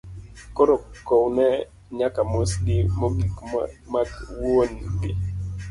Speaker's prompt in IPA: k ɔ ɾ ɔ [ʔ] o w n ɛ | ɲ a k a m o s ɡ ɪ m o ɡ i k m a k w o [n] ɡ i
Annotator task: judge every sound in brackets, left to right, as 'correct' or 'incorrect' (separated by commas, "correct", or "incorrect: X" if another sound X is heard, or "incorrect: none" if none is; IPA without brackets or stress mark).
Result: incorrect: k, correct